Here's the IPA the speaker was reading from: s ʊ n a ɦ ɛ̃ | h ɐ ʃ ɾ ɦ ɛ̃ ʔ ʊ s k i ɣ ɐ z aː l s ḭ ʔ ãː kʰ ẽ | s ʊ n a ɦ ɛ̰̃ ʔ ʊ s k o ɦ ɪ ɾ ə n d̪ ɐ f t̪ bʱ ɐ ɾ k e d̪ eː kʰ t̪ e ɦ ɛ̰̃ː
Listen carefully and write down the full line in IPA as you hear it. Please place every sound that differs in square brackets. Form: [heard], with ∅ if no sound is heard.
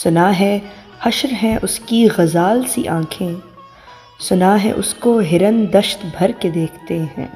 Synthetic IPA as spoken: s ʊ n a ɦ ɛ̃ | h ɐ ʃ ɾ ɦ ɛ̃ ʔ ʊ s k i ɣ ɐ z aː l s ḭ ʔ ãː kʰ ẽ | s ʊ n a ɦ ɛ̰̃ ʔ ʊ s k o ɦ ɪ ɾ ə n d̪ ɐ [ʃ] t̪ bʱ ɐ ɾ k e d̪ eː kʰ t̪ e ɦ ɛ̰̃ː